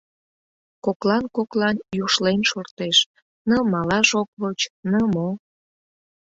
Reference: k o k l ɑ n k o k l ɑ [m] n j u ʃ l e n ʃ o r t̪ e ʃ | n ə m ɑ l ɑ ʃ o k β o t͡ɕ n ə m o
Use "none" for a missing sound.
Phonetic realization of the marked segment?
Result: none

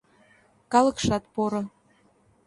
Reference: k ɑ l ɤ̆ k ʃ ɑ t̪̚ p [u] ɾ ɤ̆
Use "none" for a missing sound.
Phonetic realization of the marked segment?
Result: o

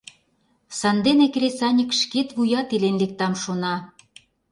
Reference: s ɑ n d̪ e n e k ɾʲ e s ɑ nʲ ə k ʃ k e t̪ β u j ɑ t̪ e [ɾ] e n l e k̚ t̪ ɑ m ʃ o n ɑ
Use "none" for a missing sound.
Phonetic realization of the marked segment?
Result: l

